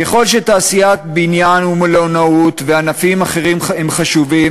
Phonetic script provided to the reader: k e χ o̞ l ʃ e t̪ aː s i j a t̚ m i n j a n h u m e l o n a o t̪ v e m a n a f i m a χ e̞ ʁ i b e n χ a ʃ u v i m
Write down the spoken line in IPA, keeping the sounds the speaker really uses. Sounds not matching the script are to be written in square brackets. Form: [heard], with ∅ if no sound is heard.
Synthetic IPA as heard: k e χ o̞ l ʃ e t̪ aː s i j a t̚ [b] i n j a n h u m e l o n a [u] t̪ v e [∅] a n a f i m a χ e̞ ʁ i [m] e [m] χ a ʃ u v i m